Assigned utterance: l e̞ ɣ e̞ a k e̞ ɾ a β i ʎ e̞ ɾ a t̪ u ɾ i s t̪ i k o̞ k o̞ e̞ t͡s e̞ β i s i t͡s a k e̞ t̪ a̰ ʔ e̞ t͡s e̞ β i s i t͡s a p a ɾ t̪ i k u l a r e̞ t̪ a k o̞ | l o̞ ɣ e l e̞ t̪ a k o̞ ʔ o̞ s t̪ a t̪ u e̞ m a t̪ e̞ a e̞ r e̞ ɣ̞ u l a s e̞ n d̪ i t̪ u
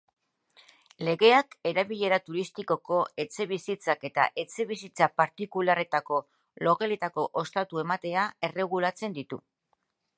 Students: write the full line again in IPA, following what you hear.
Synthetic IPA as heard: l e̞ ɣ e̞ a k e̞ ɾ a β i ʎ e̞ ɾ a t̪ u ɾ i s t̪ i k o̞ k o̞ e̞ t͡s e̞ β i s i t͡s a k e̞ t̪ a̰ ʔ e̞ t͡s e̞ β i s i t͡s a p a ɾ t̪ i k u l a r e̞ t̪ a k o̞ | l o̞ ɣ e l e̞ t̪ a k o̞ ʔ o̞ s t̪ a t̪ u e̞ m a t̪ e̞ a e̞ r e̞ ɣ̞ u l a t͡s e̞ n d̪ i t̪ u